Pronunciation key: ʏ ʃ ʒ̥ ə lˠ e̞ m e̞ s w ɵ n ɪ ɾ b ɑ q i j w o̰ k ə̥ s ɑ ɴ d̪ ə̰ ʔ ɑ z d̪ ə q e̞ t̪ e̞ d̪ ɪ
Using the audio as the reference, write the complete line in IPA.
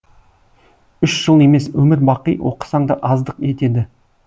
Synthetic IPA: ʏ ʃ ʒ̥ ə lˠ e̞ m e̞ s w ɵ m ɪ ɾ b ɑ q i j w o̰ q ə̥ s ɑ ɴ d̪ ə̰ ʔ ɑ z d̪ ə q e̞ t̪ e̞ d̪ ɪ